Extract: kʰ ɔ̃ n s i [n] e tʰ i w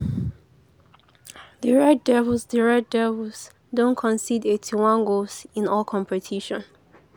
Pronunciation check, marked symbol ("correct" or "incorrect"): incorrect